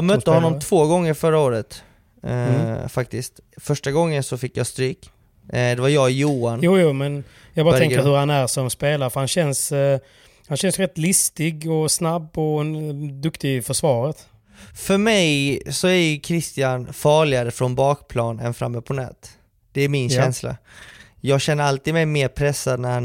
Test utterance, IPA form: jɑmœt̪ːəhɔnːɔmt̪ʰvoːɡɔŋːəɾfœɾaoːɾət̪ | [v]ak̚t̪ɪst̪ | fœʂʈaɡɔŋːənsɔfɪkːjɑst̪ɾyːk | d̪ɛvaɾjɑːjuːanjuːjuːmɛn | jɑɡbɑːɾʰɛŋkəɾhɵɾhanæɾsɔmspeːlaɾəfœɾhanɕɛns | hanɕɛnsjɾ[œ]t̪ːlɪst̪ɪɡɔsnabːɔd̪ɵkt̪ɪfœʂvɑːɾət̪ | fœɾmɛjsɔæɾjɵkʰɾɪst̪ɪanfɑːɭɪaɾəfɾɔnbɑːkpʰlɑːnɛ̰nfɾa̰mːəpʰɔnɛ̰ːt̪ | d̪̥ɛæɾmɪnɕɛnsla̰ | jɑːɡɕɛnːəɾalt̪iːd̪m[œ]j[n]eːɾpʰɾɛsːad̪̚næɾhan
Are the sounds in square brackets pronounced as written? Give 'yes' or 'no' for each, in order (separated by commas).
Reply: no, no, no, no